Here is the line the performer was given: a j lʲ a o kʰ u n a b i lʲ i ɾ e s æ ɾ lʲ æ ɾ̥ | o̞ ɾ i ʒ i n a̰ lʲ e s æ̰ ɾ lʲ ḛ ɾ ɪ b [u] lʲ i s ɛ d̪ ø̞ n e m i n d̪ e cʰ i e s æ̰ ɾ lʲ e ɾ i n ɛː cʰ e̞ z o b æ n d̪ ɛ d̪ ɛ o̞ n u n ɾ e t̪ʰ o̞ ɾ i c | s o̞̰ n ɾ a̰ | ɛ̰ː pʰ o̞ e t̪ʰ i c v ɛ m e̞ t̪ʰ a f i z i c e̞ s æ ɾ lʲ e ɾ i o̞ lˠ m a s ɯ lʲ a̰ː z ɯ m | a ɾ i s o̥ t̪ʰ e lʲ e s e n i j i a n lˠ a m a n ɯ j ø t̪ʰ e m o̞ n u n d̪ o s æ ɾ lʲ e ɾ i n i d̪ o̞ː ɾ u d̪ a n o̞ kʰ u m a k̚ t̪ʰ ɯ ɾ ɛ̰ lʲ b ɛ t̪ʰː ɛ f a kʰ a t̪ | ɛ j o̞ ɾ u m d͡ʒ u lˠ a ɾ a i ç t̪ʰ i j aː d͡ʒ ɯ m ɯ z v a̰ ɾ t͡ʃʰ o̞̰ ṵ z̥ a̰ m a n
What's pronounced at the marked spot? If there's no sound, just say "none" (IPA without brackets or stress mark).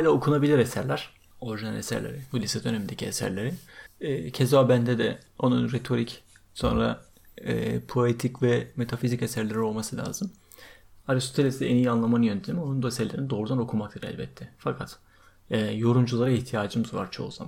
u